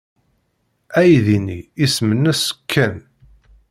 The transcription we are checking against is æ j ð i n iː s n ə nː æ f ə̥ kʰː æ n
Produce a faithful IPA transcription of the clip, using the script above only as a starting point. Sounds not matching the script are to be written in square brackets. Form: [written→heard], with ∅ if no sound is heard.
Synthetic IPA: æ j ð i n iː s [n→m] ə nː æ [f→s] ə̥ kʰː æ n

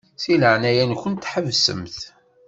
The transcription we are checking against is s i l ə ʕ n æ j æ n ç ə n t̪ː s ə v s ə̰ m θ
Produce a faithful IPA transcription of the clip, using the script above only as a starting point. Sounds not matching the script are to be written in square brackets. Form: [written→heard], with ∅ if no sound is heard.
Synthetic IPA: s i l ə ʕ n æ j æ n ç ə n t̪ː [s→ħ] ə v s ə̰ m θ

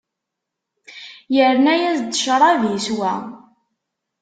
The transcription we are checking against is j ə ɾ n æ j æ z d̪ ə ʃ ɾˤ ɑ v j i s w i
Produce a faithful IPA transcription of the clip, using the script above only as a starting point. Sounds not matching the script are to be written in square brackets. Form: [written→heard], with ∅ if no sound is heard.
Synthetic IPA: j ə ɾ n æ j æ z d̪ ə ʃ ɾˤ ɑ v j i s w [i→æ]

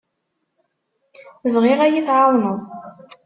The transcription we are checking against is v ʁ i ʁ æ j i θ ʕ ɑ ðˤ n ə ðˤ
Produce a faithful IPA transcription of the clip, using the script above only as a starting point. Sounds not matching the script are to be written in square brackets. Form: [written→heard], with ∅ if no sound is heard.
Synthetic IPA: v ʁ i ʁ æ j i θ ʕ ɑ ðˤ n ə ðˤ

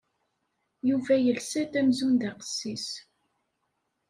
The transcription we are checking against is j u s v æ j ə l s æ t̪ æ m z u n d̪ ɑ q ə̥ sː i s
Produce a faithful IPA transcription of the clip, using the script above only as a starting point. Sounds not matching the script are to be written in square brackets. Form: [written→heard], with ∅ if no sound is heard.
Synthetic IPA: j u [s→∅] v æ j ə l s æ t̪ æ m z u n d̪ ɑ q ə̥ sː i s

